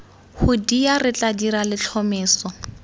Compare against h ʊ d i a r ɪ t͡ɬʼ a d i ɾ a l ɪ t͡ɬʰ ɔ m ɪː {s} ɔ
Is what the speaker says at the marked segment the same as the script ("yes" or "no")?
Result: yes